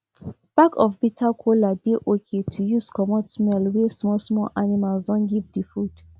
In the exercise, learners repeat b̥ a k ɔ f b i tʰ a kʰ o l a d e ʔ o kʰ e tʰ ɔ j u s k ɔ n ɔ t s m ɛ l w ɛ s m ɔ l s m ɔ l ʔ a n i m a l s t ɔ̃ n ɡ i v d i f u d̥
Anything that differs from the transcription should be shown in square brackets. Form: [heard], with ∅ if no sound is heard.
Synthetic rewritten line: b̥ a k ɔ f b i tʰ a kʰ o l a d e ʔ o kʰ e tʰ [u] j u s k ɔ [m] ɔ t s m ɛ l w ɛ s m ɔ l s m ɔ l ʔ a n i m a l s [d] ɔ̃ n ɡ i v d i f u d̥